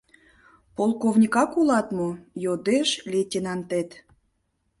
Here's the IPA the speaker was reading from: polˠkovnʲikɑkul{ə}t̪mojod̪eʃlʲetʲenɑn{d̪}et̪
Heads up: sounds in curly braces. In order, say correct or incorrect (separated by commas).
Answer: incorrect, incorrect